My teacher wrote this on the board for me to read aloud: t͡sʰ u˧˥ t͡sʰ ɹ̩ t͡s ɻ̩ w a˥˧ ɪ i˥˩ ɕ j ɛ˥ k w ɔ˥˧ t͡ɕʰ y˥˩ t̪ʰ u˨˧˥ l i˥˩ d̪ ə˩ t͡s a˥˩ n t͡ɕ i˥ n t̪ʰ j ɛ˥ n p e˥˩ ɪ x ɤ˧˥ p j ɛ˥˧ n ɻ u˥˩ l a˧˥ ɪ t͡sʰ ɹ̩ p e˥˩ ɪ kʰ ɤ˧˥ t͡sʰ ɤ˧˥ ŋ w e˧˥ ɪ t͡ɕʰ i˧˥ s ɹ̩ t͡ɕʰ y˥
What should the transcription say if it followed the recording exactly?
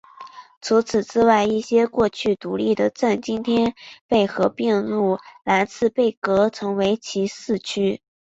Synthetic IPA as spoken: t͡sʰ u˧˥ t͡sʰ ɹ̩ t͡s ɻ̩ w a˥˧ ɪ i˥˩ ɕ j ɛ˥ k w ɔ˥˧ t͡ɕʰ y˥˩ t̪ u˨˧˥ l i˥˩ d̪ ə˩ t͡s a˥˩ n t͡ɕ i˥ n t̪ʰ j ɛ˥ n p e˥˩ ɪ x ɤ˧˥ p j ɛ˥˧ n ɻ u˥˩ l a˧˥ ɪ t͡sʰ ɹ̩ p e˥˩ ɪ k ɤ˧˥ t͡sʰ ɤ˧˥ ŋ w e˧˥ ɪ t͡ɕʰ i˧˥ s ɹ̩ t͡ɕʰ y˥